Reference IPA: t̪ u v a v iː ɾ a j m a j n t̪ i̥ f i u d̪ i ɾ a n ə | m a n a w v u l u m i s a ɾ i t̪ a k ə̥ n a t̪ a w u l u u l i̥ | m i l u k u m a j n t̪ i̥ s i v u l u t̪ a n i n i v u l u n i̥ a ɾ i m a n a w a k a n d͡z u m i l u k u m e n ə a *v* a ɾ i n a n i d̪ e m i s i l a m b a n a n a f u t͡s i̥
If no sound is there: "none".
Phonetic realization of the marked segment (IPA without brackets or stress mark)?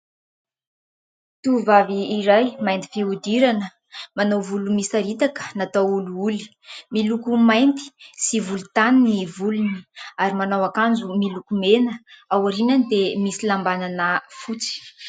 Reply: w